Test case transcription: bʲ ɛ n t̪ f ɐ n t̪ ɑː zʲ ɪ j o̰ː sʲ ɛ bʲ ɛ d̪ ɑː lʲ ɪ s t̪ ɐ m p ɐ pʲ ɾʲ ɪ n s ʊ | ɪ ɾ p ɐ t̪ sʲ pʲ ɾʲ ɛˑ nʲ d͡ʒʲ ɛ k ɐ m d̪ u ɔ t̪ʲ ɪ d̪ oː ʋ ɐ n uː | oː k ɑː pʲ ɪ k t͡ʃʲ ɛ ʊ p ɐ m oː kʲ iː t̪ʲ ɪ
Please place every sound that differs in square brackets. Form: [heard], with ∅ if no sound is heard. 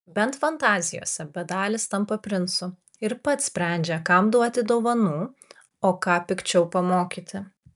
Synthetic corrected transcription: bʲ ɛ n t̪ f ɐ n t̪ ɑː zʲ ɪ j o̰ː sʲ ɛ bʲ ɛ d̪ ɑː lʲ ɪ s t̪ ɐ m p ɐ pʲ ɾʲ ɪ n s ʊ | ɪ ɾ p ɐ t̪ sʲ pʲ ɾʲ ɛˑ nʲ d͡ʒʲ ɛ k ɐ m d̪ u ɔ t̪ʲ ɪ d̪ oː ʋ ɐ n uː | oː k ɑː pʲ ɪ k t͡ʃʲ ɛ ʊ p ɐ m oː kʲ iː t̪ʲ ɪ